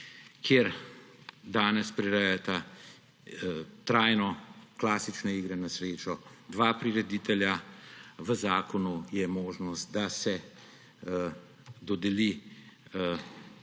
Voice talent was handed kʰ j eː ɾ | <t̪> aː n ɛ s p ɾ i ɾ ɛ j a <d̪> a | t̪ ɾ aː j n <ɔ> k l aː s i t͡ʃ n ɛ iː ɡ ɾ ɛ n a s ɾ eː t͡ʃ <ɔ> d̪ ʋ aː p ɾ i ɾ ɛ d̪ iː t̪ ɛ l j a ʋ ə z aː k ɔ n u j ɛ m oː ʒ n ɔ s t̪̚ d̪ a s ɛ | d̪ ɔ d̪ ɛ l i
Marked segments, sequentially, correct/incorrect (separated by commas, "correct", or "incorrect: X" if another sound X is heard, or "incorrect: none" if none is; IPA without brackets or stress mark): incorrect: d̪, incorrect: t̪, correct, correct